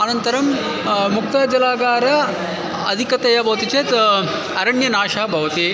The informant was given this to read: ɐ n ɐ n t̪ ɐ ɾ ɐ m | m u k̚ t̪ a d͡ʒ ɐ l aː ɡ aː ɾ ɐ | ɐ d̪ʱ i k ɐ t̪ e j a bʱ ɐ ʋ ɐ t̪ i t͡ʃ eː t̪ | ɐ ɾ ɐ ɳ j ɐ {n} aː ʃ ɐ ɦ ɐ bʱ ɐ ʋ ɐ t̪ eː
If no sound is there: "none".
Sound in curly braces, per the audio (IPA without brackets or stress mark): n